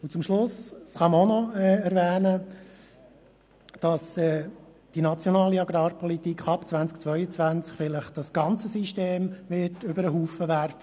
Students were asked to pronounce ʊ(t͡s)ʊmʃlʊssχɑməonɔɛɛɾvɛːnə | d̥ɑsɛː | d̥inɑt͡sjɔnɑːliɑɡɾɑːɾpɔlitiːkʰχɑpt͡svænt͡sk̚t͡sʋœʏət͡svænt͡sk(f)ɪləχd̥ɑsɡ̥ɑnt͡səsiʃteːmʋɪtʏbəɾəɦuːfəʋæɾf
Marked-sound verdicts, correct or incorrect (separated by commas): correct, correct